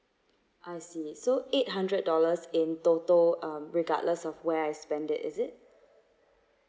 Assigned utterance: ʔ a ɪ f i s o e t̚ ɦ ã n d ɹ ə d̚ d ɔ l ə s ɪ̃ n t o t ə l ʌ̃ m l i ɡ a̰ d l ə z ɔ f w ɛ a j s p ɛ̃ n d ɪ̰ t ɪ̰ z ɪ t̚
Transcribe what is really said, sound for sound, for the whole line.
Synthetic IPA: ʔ a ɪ s i s o e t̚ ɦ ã n d ɹ ə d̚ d ɔ l ə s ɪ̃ n t o t ə l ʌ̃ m ɹ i ɡ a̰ d l ə s ɔ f w ɛ a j s p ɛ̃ n d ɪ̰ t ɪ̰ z ɪ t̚